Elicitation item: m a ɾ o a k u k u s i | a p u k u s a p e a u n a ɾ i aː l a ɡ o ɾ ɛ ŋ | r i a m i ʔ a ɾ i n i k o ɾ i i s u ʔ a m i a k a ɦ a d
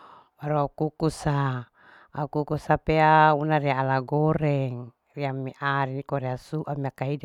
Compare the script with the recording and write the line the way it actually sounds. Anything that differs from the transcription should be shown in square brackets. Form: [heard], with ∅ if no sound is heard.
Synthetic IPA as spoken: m a ɾ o a k u k u s [a] | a [k] u k u s a p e a u n a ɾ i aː l a ɡ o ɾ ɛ ŋ | r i a m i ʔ a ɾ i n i k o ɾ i [a] s u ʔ a m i a k a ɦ [i] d